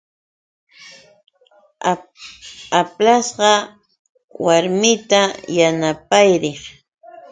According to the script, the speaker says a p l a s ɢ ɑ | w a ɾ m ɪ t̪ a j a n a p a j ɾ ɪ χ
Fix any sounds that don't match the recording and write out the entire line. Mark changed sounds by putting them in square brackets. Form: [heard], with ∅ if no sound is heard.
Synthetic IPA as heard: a p l a s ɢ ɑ | w a ɾ m ɪ t̪ a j a n a p a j ɾ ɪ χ